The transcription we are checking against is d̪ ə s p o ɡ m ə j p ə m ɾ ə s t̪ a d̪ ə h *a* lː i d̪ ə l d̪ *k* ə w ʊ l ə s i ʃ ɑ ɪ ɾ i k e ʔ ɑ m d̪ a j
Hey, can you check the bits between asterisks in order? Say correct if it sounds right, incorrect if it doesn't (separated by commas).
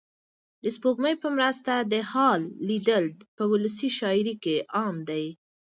incorrect, incorrect